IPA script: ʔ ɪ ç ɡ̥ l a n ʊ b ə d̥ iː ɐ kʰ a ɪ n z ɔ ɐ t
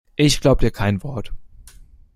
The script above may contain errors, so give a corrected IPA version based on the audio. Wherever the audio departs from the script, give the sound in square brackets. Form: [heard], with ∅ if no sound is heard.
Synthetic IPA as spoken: ʔ ɪ ç ɡ̥ l a [∅] ʊ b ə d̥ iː ɐ kʰ a ɪ n [v] ɔ ɐ t